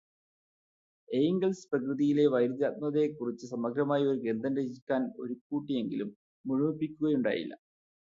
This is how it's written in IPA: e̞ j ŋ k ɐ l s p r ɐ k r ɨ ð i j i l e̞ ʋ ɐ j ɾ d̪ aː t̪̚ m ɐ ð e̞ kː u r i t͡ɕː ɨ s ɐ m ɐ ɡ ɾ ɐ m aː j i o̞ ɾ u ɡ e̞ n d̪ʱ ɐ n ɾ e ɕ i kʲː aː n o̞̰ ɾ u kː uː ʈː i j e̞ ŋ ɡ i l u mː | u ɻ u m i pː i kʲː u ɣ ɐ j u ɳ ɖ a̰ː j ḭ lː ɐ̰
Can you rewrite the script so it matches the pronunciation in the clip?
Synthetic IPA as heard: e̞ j ŋ ɡ ɐ l s p r ɐ k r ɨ ð i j i l e̞ ʋ ɐ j ɾ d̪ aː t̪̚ m ɐ ð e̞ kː u r i t͡ɕː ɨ s ɐ m ɐ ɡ ɾ ɐ m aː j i o̞ ɾ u ɡ e̞ n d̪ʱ ɐ n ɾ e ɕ i kʲː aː n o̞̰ ɾ u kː uː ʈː i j e̞ ŋ ɡ i l u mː | u ɻ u m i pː i kʲː u ɣ ɐ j u ɳ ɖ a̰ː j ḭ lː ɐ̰